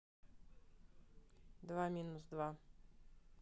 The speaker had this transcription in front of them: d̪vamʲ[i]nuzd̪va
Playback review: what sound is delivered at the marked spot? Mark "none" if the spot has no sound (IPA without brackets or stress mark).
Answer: i